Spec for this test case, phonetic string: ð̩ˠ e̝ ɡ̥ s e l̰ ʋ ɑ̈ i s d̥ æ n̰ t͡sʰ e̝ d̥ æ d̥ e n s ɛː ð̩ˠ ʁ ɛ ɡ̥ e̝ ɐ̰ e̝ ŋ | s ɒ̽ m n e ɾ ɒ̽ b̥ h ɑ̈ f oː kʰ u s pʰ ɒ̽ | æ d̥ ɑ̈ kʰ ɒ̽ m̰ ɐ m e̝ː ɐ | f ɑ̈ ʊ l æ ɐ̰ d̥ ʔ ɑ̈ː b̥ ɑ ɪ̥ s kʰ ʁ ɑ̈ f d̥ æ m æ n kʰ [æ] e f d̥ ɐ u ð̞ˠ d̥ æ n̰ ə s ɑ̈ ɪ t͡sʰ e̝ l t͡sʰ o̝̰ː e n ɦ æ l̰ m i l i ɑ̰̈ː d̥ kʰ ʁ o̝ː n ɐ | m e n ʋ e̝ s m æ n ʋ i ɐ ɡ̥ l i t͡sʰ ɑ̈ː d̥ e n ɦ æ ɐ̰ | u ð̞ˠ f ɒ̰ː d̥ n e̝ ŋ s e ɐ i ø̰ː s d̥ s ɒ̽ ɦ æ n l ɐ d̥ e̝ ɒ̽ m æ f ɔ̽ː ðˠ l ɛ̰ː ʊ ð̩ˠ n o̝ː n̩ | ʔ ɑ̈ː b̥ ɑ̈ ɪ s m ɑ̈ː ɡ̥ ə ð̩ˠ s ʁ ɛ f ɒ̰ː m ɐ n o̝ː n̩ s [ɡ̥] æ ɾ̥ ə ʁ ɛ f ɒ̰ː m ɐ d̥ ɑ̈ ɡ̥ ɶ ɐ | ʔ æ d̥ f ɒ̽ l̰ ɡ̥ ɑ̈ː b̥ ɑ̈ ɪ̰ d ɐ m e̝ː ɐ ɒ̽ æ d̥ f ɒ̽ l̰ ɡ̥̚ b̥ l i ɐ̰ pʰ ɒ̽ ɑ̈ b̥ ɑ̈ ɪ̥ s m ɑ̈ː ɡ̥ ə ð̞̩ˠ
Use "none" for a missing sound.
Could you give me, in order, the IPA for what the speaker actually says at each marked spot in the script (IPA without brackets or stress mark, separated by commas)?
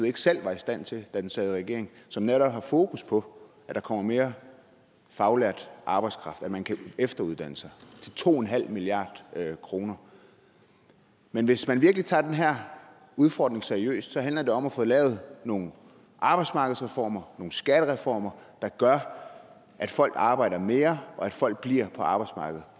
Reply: æ, ɡ̥